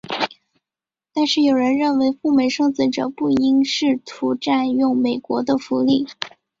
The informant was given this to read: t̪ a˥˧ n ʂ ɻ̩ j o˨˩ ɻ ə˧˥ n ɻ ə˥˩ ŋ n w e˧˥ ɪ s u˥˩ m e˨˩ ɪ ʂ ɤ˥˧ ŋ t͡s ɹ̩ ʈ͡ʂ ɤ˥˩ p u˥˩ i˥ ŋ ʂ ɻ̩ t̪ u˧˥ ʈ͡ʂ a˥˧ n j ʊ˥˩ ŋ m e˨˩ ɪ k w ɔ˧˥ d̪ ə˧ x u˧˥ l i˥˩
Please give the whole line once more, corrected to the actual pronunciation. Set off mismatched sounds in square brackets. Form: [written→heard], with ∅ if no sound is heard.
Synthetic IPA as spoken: t̪ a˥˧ n ʂ ɻ̩ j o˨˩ ɻ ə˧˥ n ɻ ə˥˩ [ŋ→∅] n w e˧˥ ɪ [s→f] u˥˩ m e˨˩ ɪ ʂ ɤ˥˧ ŋ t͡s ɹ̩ ʈ͡ʂ [ɤ˥˩→ɤ˨˩] p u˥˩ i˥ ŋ ʂ ɻ̩ [t̪→t̪ʰ] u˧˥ ʈ͡ʂ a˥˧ n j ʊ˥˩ ŋ m e˨˩ ɪ k w ɔ˧˥ d̪ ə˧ [x→f] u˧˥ l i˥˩